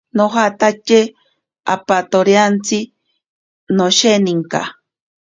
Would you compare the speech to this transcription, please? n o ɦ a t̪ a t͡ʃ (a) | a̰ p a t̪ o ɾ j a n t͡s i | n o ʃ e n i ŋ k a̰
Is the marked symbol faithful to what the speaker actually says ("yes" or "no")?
no